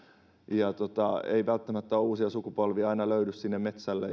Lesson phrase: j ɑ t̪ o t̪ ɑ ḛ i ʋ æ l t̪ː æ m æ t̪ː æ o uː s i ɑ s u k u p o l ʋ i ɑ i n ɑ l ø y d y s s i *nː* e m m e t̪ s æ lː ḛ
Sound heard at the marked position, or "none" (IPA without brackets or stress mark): nː